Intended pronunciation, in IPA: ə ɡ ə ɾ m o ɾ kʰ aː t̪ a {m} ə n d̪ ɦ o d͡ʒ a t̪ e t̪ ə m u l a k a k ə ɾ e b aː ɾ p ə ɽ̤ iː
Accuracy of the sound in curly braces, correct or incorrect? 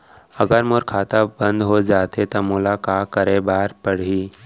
incorrect: b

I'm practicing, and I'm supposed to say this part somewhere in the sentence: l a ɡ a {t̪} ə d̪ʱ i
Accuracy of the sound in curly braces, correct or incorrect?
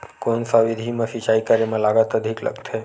correct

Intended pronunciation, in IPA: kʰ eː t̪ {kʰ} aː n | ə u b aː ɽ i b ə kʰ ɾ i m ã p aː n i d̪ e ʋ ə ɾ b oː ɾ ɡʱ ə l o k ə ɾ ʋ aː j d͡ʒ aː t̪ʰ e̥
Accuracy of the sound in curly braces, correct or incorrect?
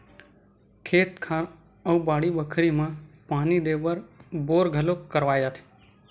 correct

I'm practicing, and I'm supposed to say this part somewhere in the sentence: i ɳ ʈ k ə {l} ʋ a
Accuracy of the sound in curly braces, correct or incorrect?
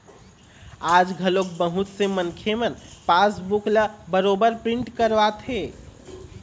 incorrect: ɾ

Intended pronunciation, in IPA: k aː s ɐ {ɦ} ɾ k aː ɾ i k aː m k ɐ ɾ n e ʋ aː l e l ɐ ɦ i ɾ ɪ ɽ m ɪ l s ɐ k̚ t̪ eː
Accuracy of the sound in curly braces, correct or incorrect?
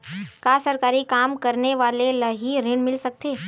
incorrect: none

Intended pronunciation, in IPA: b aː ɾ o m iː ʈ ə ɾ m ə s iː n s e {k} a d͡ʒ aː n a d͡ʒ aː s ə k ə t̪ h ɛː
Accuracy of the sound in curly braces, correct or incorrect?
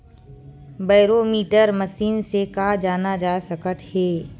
correct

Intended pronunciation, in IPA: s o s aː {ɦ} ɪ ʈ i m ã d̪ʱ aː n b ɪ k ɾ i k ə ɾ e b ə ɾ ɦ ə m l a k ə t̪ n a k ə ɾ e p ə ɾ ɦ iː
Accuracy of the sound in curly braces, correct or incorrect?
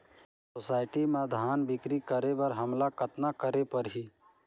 incorrect: none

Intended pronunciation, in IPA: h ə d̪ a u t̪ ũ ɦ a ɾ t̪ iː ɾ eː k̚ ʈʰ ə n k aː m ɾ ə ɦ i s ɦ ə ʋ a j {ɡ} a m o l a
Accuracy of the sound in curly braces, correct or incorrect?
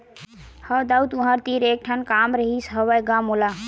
correct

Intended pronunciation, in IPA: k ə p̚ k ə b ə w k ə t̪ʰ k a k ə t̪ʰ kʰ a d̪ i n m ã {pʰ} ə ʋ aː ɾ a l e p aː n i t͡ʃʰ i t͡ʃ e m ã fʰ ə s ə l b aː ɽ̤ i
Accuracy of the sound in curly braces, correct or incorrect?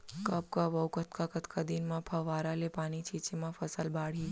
correct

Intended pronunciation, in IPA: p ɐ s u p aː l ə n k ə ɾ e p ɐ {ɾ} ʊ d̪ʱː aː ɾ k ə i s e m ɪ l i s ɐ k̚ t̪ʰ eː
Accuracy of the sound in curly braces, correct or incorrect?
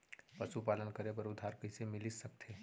correct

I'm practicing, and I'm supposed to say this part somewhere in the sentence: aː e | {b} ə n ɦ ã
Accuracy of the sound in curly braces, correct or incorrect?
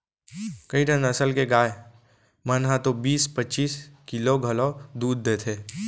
incorrect: m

